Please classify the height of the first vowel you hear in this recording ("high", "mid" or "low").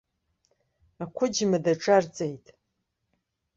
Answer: low